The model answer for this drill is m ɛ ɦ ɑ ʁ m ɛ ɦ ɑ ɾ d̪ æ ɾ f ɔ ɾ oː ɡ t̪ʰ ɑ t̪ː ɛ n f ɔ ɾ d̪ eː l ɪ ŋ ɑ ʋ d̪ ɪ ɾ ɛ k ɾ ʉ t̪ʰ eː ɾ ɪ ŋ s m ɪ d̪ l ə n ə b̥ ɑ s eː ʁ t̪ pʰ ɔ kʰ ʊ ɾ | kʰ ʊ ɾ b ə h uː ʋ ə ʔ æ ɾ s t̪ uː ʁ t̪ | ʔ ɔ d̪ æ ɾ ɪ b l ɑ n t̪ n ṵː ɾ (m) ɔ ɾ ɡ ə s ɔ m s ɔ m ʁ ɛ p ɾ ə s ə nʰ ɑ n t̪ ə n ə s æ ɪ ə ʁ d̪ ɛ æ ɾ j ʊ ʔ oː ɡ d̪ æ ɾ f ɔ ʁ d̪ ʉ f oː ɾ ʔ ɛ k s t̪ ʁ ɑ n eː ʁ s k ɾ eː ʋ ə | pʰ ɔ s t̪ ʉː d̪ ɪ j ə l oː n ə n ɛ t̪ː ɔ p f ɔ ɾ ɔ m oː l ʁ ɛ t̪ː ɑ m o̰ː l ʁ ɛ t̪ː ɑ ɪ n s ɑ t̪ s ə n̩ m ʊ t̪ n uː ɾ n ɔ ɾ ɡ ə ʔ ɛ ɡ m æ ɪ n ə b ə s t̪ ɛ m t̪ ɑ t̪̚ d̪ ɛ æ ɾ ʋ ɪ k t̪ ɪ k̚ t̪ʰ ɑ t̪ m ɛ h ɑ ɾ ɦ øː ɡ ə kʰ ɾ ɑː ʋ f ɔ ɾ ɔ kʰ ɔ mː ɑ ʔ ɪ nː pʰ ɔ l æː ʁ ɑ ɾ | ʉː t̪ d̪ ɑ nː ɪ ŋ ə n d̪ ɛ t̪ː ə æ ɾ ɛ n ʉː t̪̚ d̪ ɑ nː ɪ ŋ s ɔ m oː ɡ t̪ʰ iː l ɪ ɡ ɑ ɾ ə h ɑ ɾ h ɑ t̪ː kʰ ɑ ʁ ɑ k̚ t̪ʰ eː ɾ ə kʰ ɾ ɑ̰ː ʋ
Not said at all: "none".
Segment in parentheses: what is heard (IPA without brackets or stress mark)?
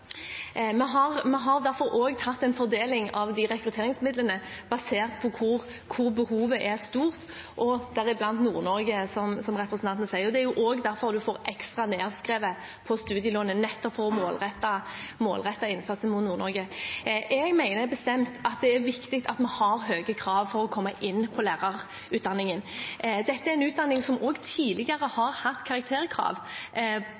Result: n